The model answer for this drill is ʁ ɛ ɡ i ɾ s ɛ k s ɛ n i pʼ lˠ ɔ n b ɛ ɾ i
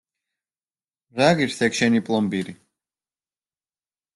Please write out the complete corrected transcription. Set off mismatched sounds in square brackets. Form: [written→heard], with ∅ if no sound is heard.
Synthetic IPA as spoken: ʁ [ɛ→a] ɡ i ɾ s ɛ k [s→ʃ] ɛ n i pʼ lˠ ɔ [n→m] b [ɛ→i] ɾ i